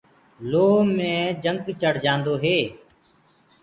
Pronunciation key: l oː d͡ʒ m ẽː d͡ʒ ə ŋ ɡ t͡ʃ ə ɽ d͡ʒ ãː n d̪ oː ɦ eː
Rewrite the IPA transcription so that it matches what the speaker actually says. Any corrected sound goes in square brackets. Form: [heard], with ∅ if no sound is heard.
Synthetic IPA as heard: l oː [∅] m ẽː d͡ʒ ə ŋ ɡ t͡ʃ ə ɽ d͡ʒ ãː n d̪ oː ɦ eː